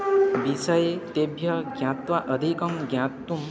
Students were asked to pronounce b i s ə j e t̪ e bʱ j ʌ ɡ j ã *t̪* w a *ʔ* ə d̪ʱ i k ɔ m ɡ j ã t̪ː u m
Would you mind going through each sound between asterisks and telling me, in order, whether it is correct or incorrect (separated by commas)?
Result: correct, correct